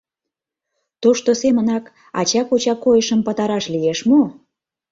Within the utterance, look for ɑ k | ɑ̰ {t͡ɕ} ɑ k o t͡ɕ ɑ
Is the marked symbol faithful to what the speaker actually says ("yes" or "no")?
yes